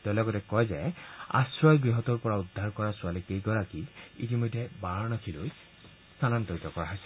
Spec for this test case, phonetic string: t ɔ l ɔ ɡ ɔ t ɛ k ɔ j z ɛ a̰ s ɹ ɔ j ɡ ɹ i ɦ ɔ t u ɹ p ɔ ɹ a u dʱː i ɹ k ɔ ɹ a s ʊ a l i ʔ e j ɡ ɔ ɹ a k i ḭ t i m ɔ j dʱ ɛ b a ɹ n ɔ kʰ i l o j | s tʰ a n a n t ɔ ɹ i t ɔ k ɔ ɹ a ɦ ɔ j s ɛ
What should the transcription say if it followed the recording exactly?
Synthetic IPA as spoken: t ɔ l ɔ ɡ ɔ t ɛ k ɔ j z ɛ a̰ s ɹ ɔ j ɡ ɹ i ɦ ɔ t ɔ ɹ p ɔ ɹ a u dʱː a ɹ k ɔ ɹ a s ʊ a l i k e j ɡ ɔ ɹ a k i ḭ t i m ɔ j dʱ ɛ b a ɹ n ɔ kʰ i l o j | s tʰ a n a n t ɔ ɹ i t ɔ k ɔ ɹ a ɦ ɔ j s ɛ